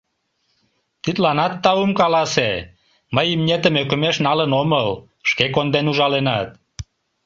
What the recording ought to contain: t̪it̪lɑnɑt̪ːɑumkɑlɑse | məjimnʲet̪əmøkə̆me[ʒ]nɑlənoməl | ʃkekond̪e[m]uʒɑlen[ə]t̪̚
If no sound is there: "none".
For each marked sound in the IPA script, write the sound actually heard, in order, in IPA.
ʃ, n, ɑ

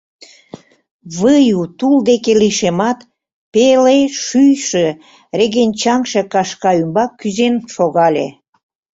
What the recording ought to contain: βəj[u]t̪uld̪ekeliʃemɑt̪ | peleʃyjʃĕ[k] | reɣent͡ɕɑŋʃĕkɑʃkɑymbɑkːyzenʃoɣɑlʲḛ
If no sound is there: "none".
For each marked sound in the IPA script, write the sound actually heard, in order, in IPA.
u, none

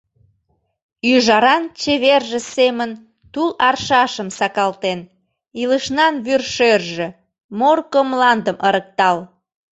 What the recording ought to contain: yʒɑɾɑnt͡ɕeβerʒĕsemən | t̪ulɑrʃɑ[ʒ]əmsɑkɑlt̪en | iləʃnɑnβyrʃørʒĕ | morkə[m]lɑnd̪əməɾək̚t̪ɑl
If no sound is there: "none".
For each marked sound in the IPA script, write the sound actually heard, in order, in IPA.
ʃ, m

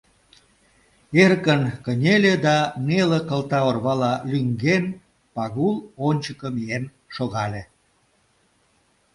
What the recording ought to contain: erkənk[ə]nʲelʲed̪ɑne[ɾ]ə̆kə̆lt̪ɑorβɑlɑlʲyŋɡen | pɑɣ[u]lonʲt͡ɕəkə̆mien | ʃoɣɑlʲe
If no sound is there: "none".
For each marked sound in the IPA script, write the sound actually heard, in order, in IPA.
ə, l, u

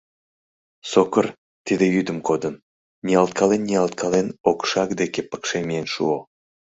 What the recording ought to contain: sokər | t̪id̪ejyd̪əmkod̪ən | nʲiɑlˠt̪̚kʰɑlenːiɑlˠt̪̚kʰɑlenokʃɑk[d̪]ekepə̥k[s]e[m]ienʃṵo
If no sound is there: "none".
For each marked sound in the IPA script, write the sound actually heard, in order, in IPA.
d̪, ʃ, m

